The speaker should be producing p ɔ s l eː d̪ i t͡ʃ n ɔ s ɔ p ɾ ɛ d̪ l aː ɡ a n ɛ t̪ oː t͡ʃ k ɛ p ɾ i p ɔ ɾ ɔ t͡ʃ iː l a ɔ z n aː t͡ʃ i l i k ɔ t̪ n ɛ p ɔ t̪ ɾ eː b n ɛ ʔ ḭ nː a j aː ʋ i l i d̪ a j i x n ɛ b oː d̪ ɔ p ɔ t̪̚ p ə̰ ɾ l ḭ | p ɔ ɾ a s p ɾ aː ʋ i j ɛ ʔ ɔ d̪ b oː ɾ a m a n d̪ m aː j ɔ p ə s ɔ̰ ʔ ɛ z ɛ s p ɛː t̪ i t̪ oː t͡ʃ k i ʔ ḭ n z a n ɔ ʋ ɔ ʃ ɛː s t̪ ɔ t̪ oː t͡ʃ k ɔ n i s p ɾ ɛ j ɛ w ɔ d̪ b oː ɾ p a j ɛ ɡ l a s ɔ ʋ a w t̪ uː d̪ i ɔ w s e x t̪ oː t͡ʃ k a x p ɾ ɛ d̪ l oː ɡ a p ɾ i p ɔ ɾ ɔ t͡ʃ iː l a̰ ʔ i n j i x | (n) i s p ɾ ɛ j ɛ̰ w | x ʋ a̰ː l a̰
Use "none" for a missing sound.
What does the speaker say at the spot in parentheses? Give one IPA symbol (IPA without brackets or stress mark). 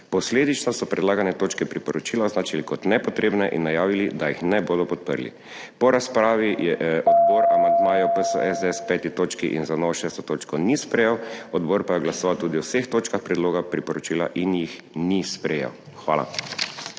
n